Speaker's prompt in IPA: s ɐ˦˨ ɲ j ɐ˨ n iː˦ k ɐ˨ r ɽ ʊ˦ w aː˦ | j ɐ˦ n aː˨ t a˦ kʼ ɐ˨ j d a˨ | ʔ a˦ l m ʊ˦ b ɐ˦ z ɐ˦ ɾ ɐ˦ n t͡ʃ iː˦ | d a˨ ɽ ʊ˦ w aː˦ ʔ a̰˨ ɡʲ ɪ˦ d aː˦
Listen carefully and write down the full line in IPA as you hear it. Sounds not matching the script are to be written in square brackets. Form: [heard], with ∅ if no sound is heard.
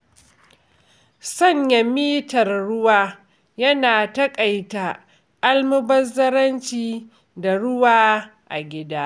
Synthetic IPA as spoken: s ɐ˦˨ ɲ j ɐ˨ [m] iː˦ [t] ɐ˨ r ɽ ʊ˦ w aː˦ | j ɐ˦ n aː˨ t [ɐ˦] kʼ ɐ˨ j [t] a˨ | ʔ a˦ l m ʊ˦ b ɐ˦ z ɐ˦ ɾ ɐ˦ n t͡ʃ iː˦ | d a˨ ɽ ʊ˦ w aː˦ ʔ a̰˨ ɡʲ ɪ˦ d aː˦

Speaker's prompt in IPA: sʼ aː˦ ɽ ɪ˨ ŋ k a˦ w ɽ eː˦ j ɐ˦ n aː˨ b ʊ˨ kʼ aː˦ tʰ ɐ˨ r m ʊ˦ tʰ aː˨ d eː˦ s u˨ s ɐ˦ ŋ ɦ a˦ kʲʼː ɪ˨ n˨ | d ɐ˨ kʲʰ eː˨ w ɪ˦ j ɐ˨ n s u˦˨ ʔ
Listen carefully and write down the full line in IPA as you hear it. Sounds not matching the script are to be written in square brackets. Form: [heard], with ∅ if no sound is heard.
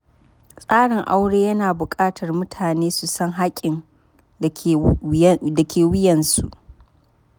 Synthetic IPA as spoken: sʼ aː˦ ɽ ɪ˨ ŋ [ʔ] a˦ w ɽ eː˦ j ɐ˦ n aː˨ b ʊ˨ kʼ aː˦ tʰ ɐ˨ r m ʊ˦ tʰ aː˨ [n] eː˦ s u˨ s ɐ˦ ŋ ɦ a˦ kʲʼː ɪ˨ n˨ | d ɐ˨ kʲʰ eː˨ w ɪ˦ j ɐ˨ n s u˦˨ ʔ

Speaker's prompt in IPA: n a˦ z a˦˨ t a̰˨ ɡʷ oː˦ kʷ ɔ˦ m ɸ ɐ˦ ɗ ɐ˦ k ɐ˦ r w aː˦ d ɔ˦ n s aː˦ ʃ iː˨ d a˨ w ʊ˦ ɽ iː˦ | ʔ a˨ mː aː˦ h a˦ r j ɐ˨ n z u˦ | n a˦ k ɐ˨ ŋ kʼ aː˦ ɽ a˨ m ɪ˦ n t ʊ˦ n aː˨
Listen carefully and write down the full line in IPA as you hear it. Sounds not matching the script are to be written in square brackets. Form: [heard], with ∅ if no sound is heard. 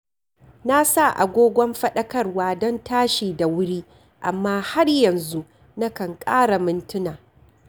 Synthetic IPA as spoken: n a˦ [s] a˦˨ [ʔ] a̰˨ ɡʷ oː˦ [ɡʷ] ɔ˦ m ɸ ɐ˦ ɗ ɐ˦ k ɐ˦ r w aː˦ d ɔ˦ n [t] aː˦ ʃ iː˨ d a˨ w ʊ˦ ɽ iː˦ | ʔ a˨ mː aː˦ h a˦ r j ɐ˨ n z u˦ | n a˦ k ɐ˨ ŋ kʼ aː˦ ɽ a˨ m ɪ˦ n t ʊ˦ n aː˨

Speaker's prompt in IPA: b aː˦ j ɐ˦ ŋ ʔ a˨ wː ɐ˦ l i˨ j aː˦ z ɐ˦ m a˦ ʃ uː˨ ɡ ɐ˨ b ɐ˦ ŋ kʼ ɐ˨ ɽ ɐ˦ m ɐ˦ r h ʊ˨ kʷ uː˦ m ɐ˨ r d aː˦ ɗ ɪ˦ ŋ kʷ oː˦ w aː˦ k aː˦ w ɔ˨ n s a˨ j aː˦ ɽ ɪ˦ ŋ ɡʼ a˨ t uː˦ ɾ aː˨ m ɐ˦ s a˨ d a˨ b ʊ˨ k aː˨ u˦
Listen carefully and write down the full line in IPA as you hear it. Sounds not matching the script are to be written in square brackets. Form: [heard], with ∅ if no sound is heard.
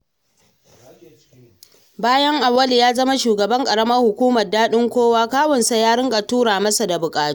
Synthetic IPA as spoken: b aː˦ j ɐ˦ ŋ ʔ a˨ wː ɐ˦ l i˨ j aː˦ z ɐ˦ m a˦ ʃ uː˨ ɡ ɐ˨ b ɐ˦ ŋ kʼ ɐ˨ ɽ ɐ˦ m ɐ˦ r h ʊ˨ kʷ uː˦ m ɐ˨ r d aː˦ ɗ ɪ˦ ŋ kʷ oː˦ w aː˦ k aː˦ w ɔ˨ n s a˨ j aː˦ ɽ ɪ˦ ŋ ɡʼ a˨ t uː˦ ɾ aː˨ m ɐ˦ s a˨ d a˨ b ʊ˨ [kʼ] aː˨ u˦

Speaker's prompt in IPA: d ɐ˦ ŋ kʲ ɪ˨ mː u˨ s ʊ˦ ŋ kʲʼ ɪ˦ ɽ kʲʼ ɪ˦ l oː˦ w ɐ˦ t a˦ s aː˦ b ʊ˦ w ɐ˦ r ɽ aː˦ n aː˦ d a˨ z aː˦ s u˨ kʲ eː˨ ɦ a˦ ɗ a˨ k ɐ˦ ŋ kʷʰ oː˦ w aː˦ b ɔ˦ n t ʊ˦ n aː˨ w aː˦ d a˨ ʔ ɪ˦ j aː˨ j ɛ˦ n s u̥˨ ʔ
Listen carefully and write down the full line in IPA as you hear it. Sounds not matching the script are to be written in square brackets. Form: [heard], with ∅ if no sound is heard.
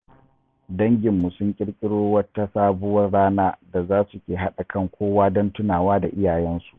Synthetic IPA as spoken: d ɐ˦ ŋ [ɡʲ] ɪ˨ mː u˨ s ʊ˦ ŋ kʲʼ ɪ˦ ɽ kʲʼ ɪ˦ [ɽ] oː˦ w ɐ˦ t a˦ s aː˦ b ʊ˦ w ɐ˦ r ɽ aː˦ n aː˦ d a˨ z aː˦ s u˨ kʲ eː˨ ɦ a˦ ɗ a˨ k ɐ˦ ŋ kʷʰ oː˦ w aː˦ [d] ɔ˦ n t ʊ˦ n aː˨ w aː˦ d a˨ ʔ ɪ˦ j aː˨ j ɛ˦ n s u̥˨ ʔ

